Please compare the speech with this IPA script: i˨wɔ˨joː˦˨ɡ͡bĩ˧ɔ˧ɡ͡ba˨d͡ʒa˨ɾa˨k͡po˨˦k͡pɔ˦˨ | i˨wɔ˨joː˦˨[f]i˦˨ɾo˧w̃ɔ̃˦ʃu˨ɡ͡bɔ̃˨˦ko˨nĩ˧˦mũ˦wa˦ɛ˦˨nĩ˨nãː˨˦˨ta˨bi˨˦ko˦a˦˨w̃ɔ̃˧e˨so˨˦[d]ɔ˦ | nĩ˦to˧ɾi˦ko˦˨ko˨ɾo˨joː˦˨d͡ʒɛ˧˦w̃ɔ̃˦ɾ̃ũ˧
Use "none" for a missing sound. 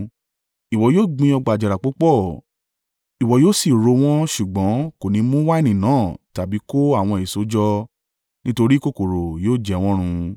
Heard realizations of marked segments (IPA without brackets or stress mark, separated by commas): s, d͡ʒ